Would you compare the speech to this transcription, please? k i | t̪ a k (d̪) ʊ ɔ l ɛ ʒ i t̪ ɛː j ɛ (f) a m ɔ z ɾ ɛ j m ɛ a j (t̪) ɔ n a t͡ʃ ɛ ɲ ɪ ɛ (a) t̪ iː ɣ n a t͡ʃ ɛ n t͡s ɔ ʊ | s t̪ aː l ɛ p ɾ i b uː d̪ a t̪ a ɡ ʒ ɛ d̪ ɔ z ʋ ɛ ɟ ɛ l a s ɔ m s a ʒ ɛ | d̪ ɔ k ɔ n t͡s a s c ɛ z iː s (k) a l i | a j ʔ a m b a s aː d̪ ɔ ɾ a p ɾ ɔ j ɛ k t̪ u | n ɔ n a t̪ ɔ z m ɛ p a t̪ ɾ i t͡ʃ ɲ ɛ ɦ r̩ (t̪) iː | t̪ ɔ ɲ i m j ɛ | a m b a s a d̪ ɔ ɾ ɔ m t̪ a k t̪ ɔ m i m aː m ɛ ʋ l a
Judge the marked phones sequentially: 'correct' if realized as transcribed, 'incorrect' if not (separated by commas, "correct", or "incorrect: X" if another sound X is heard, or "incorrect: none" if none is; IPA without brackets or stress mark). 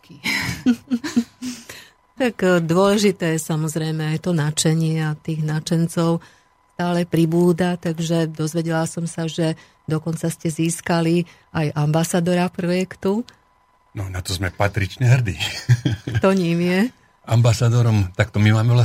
correct, incorrect: s, correct, correct, correct, incorrect: d̪